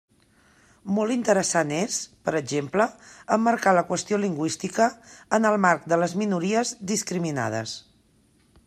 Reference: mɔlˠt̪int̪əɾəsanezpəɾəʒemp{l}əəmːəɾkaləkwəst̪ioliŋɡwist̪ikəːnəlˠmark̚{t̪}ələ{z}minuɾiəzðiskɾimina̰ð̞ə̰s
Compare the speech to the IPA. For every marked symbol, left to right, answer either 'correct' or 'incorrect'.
correct, incorrect, correct

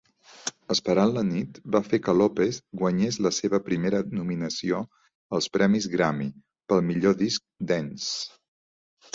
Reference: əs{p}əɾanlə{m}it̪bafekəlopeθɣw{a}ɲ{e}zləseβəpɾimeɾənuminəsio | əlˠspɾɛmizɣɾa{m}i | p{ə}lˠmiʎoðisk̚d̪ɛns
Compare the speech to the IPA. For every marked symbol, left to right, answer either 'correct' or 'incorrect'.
correct, incorrect, incorrect, correct, correct, correct

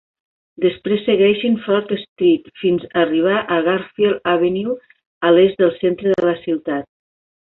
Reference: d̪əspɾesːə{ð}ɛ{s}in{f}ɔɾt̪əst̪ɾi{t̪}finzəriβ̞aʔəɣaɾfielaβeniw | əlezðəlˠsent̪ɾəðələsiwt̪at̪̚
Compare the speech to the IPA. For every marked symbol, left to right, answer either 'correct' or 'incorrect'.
incorrect, incorrect, correct, correct

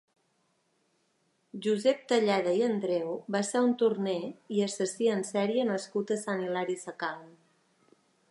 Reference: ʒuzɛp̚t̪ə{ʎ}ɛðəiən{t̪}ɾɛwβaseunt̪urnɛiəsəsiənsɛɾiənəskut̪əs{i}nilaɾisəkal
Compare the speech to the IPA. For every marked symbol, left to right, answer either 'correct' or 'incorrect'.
correct, incorrect, incorrect

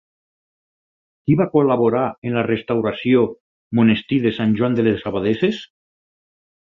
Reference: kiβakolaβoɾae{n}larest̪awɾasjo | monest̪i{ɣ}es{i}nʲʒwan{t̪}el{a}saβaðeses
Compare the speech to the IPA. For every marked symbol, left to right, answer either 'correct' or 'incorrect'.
correct, incorrect, incorrect, incorrect, incorrect

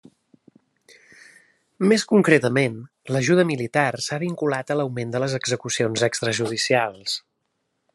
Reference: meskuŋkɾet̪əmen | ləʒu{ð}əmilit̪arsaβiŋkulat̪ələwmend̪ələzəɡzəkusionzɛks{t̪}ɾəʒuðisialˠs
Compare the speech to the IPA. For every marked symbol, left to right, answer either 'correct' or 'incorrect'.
correct, correct

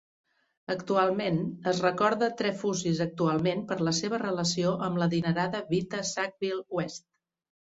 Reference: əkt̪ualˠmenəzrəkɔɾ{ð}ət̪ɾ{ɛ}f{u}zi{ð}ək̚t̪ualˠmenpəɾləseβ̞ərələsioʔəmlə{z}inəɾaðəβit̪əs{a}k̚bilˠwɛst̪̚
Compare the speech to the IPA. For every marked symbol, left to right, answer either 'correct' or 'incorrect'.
correct, correct, correct, incorrect, incorrect, correct

